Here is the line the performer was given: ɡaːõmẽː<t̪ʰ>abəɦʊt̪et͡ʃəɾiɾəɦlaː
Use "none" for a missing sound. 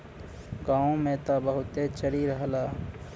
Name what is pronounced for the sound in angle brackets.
t̪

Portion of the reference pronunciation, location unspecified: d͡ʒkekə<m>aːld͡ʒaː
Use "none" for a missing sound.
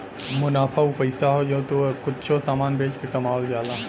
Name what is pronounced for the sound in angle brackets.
m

